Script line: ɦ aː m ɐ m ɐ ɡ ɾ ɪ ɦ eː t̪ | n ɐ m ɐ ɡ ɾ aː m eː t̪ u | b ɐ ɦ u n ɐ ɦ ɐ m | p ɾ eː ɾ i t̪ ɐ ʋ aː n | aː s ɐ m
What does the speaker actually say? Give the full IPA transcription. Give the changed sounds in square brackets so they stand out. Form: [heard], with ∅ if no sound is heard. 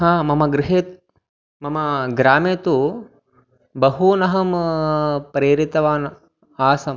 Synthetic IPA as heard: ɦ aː m ɐ m ɐ ɡ ɾ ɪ ɦ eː t̪ | [m] ɐ m ɐ ɡ ɾ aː m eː t̪ u | b ɐ ɦ u n ɐ ɦ ɐ m | p ɾ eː ɾ i t̪ ɐ ʋ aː n | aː s ɐ m

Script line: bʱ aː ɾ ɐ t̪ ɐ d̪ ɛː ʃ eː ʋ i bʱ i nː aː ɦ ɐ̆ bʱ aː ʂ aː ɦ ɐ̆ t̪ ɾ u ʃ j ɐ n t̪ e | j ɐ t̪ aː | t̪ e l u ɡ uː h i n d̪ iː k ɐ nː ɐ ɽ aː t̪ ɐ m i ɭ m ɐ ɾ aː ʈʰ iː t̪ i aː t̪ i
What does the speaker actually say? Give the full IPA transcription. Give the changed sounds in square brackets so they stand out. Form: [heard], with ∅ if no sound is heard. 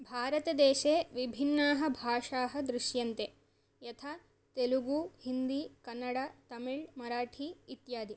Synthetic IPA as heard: bʱ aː ɾ ɐ t̪ ɐ d̪ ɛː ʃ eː ʋ i bʱ i nː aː ɦ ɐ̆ bʱ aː ʂ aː ɦ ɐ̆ [d̪] ɾ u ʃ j ɐ n t̪ e | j ɐ [t̪ʰ] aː | t̪ e l u ɡ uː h i n d̪ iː k ɐ nː ɐ ɽ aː t̪ ɐ m i ɭ m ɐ ɾ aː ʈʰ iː t̪ [j] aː [d̪] i

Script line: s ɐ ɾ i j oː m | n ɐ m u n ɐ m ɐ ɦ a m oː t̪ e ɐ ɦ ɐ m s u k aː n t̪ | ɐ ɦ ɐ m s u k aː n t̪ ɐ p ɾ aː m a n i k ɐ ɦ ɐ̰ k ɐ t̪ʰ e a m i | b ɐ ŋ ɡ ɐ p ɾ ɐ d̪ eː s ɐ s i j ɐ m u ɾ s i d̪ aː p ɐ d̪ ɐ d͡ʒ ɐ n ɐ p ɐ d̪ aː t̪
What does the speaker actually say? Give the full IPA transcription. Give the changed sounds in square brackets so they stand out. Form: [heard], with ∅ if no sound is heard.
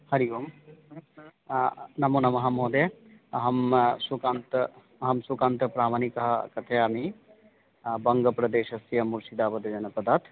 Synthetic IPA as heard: [h] ɐ ɾ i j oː m | n ɐ m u n ɐ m ɐ ɦ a m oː [d̪] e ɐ ɦ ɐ m s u k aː n t̪ | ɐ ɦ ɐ m s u k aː n t̪ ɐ p ɾ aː m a n i k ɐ ɦ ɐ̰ k ɐ t̪ʰ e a m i | b ɐ ŋ ɡ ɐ p ɾ ɐ d̪ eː [ʃ] ɐ s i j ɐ m u ɾ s i d̪ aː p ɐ d̪ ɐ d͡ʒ ɐ n ɐ p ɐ d̪ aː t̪

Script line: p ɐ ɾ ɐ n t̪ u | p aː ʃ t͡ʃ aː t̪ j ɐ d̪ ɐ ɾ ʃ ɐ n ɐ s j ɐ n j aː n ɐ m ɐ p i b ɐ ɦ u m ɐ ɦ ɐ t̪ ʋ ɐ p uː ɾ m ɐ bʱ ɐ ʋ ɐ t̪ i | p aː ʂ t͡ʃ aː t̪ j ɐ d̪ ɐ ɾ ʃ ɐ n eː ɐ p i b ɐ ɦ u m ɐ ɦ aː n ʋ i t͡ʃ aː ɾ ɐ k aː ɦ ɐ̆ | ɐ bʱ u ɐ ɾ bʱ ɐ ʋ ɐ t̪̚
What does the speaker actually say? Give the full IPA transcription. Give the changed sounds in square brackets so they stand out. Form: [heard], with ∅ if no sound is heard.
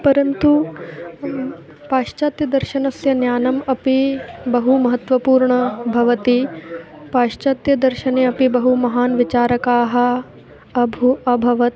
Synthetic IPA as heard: p ɐ ɾ ɐ n t̪ u | p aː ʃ t͡ʃ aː t̪ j ɐ d̪ ɐ ɾ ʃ ɐ n ɐ s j ɐ n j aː n ɐ m ɐ p i b ɐ ɦ u m ɐ ɦ ɐ t̪ ʋ ɐ p uː ɾ [ɳ] ɐ bʱ ɐ ʋ ɐ t̪ i | p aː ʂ t͡ʃ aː t̪ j ɐ d̪ ɐ ɾ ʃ ɐ n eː ɐ p i b ɐ ɦ u m ɐ ɦ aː n ʋ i t͡ʃ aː ɾ ɐ k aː ɦ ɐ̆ | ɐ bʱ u ɐ [∅] bʱ ɐ ʋ ɐ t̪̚

